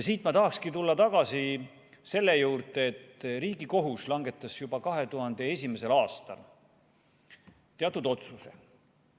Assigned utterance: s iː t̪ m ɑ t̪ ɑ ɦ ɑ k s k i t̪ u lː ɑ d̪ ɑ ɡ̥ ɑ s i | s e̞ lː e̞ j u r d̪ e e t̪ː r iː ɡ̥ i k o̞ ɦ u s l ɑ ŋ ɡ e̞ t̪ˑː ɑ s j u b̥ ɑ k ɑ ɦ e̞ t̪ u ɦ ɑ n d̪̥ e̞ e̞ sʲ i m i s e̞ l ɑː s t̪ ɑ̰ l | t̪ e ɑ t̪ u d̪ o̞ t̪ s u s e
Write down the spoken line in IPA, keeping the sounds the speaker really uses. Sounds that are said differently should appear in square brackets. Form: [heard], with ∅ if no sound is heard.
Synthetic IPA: s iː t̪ m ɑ t̪ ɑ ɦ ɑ k s k i t̪ u lː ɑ [t̪] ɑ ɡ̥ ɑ s i | s e̞ lː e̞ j [uː] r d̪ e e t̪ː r iː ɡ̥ i k o̞ ɦ u s l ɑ ŋ ɡ e̞ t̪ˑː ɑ s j u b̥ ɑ k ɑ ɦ e̞ t̪ u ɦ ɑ n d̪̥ e̞ e̞ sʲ i m [e] s e̞ l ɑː s t̪ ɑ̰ l | t̪ e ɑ t̪ u d̪ o̞ t̪ s u s e